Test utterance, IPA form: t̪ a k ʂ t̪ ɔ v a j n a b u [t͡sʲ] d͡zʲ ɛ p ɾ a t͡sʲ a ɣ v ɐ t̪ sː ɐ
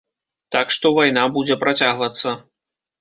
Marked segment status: incorrect: none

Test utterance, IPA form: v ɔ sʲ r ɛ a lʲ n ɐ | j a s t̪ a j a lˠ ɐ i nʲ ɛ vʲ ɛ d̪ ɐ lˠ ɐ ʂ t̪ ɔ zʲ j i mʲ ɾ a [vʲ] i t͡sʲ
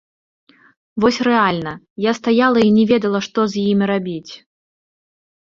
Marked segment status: incorrect: bʲ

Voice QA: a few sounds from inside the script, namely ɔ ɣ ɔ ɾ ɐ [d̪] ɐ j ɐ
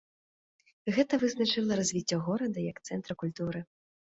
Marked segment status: correct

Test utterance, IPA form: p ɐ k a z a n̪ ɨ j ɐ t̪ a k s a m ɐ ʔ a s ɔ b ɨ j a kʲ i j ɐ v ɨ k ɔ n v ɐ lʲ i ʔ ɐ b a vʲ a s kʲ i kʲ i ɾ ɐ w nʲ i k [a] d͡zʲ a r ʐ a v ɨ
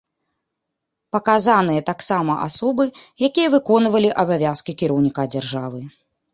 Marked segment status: correct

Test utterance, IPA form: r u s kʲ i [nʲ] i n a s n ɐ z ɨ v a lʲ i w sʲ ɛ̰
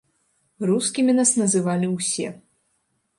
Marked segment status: incorrect: mʲ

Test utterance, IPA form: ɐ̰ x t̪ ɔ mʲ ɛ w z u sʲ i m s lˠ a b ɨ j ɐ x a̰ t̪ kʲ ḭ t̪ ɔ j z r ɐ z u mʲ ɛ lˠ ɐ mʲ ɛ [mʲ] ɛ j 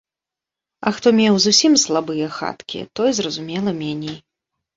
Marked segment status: incorrect: nʲ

